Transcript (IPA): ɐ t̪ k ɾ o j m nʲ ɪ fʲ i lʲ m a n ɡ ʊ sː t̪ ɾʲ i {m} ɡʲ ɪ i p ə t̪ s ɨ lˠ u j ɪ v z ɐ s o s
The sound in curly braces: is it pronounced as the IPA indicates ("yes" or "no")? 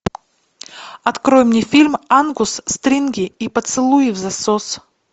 no